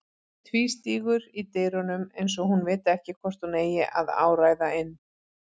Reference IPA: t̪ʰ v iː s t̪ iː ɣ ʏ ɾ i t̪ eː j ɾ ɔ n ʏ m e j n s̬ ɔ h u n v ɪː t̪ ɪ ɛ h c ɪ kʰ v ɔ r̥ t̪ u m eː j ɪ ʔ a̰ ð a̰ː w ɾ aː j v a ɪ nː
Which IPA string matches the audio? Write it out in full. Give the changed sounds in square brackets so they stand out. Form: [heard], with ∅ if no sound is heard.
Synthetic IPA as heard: t̪ʰ v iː s t̪ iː ɣ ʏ ɾ i t̪ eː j ɾ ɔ n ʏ m e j n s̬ ɔ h u n v ɪː t̪ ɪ ɛ h c ɪ kʰ v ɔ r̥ t̪ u [n] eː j ɪ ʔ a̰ ð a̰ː w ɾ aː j [ð] a ɪ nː